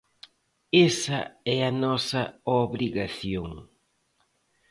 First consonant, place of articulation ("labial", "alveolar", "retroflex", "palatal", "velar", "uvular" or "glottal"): alveolar